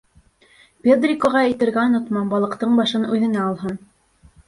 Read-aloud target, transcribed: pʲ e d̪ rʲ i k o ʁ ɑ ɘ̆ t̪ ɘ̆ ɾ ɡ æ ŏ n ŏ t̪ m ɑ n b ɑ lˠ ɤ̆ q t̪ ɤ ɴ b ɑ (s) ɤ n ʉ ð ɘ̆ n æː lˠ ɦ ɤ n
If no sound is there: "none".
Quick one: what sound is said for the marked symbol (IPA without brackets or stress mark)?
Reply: ʃ